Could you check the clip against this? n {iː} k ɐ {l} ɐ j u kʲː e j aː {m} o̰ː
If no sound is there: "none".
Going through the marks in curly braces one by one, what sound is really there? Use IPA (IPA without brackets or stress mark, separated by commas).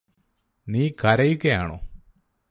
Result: iː, ɾ, ɳ